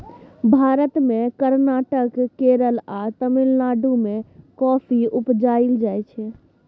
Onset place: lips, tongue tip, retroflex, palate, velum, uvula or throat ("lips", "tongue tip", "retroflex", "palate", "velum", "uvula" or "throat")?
lips